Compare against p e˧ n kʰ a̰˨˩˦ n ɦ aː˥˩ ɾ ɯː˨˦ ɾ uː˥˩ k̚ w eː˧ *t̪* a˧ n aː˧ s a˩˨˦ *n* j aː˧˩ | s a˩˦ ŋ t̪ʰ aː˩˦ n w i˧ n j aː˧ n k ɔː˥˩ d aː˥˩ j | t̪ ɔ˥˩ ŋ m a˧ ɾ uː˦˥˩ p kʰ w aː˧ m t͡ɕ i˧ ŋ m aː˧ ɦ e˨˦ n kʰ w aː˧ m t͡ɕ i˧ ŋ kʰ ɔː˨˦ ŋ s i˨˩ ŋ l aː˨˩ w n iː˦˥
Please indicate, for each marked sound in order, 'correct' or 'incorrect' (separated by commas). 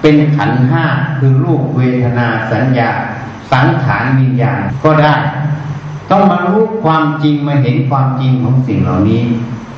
incorrect, correct